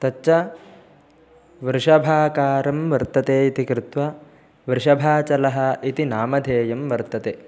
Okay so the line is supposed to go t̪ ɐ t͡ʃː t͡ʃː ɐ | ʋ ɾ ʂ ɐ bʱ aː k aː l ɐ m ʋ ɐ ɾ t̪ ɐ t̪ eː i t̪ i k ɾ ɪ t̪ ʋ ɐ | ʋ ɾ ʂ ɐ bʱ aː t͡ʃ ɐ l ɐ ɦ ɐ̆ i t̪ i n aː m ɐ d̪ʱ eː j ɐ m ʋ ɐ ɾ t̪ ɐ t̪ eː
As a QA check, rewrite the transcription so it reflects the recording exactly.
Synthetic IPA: t̪ ɐ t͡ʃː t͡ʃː ɐ | ʋ ɾ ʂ ɐ bʱ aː k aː ɾ ɐ m ʋ ɐ ɾ t̪ ɐ t̪ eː i t̪ i k ɾ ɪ t̪ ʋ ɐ | ʋ ɾ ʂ ɐ bʱ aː t͡ʃ ɐ l ɐ ɦ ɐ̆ i t̪ i n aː m ɐ d̪ʱ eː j ɐ m ʋ ɐ ɾ t̪ ɐ t̪ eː

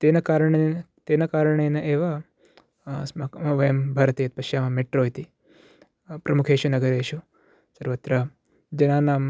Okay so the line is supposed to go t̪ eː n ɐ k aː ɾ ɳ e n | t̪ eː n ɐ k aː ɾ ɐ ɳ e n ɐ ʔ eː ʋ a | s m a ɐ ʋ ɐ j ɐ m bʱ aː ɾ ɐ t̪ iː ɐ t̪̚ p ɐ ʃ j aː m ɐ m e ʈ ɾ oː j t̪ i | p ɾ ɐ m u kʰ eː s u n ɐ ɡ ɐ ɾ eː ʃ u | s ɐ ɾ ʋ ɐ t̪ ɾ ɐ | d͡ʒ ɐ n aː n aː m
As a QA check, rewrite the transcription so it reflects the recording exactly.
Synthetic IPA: t̪ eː n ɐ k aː ɾ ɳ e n | t̪ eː n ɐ k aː ɾ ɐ ɳ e n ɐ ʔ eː ʋ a | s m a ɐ ʋ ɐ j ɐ m bʱ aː ɾ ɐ t̪ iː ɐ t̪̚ p ɐ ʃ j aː m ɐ m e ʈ ɾ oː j t̪ i | p ɾ ɐ m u kʰ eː ʃ u n ɐ ɡ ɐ ɾ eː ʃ u | s ɐ ɾ ʋ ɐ t̪ ɾ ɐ | d͡ʒ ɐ n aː n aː m

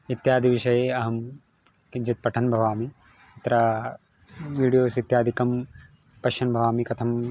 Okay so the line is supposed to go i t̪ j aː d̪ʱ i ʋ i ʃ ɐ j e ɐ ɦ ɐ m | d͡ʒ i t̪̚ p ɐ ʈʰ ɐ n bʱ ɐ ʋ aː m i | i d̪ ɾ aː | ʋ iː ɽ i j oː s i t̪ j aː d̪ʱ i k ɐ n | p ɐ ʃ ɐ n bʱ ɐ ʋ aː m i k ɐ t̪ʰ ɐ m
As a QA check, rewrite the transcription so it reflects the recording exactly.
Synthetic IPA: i t̪ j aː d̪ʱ i ʋ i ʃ ɐ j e ɐ ɦ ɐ m | d͡ʒ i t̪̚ p ɐ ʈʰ ɐ n bʱ ɐ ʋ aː m i | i t̪ ɾ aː | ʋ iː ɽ i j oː s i t̪ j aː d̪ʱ i k ɐ m | p ɐ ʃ ɐ n bʱ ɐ ʋ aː m i k ɐ t̪ʰ ɐ m

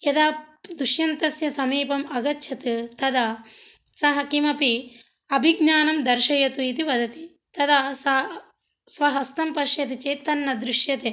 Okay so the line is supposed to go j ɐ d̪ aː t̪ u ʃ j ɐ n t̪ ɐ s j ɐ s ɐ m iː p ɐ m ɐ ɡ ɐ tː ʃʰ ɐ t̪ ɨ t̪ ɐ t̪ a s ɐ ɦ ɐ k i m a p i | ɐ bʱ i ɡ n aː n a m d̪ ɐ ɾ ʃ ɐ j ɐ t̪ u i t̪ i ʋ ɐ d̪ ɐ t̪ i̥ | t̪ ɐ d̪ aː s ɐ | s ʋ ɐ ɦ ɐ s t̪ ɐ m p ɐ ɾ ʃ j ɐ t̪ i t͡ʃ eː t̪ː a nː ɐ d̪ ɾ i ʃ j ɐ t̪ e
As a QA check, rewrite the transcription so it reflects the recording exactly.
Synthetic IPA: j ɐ d̪ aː d̪ u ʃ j ɐ n t̪ ɐ s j ɐ s ɐ m iː p ɐ m ɐ ɡ ɐ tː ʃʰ ɐ t̪ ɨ t̪ ɐ d̪ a s ɐ ɦ ɐ k i m ɐ p i | ɐ bʱ i ɡ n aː n ɐ m d̪ ɐ ɾ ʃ ɐ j ɐ t̪ u i t̪ i ʋ ɐ d̪ ɐ t̪ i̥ | t̪ ɐ d̪ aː s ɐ | s ʋ ɐ ɦ ɐ s t̪ ɐ m p ɐ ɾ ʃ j ɐ t̪ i t͡ʃ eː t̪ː ɐ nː ɐ d̪ ɾ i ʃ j ɐ t̪ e

